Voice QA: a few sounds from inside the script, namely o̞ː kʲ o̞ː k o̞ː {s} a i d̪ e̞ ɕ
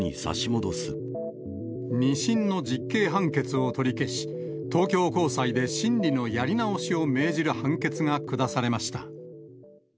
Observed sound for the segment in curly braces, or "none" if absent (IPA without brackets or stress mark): s